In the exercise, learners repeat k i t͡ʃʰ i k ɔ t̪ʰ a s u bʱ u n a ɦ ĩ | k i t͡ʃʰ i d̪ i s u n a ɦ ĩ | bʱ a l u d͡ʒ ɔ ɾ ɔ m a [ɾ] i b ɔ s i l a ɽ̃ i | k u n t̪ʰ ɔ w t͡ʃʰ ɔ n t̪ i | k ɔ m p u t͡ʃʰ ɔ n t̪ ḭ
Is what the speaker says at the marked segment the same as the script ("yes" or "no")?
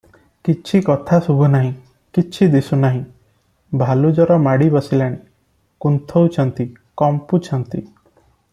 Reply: no